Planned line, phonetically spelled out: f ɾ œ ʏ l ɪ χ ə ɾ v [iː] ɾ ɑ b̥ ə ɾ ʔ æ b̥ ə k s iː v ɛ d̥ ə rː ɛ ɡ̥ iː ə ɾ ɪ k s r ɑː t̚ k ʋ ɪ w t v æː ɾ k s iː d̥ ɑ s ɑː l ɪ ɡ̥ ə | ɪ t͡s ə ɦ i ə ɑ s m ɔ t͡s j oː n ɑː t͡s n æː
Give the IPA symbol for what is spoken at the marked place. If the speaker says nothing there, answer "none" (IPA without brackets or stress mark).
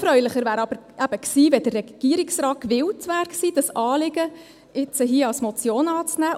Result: æː